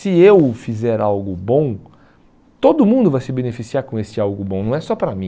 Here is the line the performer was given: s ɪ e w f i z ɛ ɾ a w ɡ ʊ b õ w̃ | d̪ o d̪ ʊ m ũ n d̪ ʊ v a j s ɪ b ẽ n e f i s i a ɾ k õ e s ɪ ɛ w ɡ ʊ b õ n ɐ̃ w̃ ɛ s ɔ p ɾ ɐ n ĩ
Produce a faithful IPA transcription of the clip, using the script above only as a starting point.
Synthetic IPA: s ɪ e w f i z ɛ ɾ a w ɡ ʊ b õ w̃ | t̪ o d̪ ʊ m ũ n d̪ ʊ v a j s ɪ b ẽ n e f i s i a ɾ k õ e s ɪ a w ɡ ʊ b õ n ɐ̃ w̃ ɛ s ɔ p ɾ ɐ m ĩ